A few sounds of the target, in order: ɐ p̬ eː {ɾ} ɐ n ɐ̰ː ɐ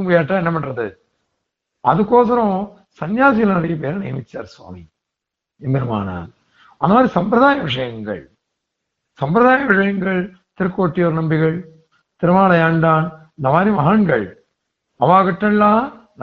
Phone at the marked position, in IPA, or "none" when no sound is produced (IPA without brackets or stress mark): ɾ